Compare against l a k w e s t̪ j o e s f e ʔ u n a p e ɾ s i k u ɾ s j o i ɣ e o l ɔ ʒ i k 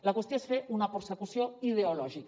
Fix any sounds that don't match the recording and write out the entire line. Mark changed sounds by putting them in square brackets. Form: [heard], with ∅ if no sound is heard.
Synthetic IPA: l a k w e s t̪ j o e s f e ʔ u n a p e ɾ s [e] k u [∅] s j o i [ð] e o l ɔ ʒ i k